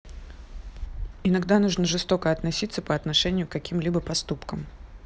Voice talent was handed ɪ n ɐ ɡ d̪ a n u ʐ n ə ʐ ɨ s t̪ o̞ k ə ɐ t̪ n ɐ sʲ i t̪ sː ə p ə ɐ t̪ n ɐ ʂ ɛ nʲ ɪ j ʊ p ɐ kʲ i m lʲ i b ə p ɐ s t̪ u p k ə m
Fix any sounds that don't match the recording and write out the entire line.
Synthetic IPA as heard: ɪ n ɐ ɡ d̪ a n u ʐ n ə ʐ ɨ s t̪ o̞ k ə ɐ t̪ n ɐ sʲ i t̪ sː ə p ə ɐ t̪ n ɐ ʂ ɛ nʲ ɪ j ʊ k ɐ kʲ i m lʲ i b ə p ɐ s t̪ u p k ə m